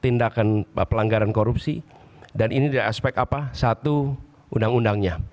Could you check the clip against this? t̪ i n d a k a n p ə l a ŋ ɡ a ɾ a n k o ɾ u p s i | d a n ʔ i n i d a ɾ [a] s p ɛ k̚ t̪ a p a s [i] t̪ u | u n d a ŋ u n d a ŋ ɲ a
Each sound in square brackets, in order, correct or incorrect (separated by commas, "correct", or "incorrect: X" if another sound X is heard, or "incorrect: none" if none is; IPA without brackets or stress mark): correct, incorrect: a